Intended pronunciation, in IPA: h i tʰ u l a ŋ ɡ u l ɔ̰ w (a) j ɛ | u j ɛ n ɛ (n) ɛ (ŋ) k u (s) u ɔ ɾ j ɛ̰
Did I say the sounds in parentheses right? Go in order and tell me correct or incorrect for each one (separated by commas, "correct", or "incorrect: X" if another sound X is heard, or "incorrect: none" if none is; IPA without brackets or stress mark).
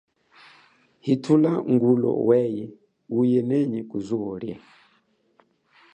incorrect: ɛ, incorrect: ɲ, incorrect: none, incorrect: z